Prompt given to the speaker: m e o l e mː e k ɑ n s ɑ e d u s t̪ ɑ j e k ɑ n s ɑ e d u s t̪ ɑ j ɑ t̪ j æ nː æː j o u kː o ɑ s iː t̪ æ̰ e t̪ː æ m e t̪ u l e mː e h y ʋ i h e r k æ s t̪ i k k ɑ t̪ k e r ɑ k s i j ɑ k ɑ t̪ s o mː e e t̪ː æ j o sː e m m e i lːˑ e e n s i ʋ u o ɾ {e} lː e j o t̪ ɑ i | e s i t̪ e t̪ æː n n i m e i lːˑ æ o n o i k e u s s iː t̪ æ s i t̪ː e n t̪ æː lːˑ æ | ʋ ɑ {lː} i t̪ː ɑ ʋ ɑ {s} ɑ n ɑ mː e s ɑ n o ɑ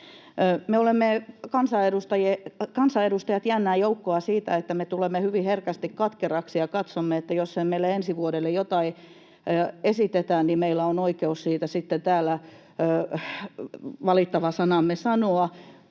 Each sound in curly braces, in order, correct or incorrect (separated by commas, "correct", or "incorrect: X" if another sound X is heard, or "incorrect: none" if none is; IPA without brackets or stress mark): correct, incorrect: l, correct